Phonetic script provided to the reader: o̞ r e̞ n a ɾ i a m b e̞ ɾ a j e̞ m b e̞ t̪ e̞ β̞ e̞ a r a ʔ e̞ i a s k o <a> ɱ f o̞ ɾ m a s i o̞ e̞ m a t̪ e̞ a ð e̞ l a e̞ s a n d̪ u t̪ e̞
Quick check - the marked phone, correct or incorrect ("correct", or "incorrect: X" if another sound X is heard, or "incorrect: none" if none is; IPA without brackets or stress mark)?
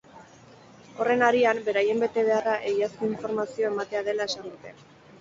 incorrect: i